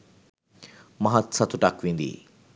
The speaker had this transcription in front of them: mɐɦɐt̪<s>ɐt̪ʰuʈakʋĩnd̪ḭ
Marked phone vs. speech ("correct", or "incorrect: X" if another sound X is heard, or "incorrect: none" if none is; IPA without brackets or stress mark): correct